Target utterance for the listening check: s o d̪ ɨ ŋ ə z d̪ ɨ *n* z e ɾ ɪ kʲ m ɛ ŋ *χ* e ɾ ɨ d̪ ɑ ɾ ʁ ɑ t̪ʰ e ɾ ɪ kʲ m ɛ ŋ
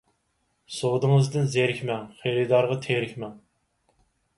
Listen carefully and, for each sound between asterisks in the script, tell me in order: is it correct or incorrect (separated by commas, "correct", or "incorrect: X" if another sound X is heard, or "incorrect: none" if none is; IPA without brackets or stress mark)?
correct, correct